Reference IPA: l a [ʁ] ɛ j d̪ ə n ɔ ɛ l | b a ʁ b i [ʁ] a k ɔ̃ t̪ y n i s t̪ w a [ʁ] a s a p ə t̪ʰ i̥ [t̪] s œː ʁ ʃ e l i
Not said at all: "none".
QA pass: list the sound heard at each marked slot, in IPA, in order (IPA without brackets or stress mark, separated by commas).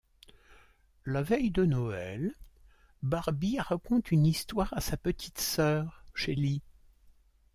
v, ʁ, ʁ, t̪